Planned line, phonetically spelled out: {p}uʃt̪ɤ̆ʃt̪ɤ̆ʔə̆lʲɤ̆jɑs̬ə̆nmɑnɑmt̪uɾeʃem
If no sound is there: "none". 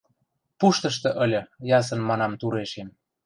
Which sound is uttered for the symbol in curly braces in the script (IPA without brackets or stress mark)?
p